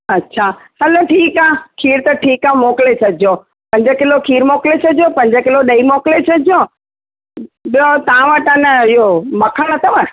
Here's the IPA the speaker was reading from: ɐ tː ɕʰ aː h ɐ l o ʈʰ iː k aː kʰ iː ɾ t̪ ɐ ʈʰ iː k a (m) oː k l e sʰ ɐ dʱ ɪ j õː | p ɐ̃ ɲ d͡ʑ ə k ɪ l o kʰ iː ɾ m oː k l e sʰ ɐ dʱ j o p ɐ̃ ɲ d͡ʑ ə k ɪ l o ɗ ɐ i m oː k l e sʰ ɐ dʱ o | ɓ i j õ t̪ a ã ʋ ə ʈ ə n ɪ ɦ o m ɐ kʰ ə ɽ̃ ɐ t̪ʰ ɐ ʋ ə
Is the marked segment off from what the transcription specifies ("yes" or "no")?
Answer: no